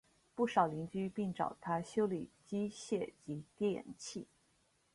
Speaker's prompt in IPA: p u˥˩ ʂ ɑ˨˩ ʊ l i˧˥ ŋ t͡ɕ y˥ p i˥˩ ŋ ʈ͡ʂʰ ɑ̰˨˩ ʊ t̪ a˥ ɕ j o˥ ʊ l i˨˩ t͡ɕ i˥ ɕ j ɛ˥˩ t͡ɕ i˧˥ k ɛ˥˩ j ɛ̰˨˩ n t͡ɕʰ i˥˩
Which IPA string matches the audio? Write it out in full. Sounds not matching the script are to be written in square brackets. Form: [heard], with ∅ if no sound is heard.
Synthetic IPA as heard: p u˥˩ ʂ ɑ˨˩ ʊ l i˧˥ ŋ t͡ɕ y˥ p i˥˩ ŋ [ʈ͡ʂ] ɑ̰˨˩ ʊ [t̪ʰ] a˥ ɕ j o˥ ʊ l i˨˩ t͡ɕ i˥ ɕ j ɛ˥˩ t͡ɕ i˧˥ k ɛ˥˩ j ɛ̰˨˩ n t͡ɕʰ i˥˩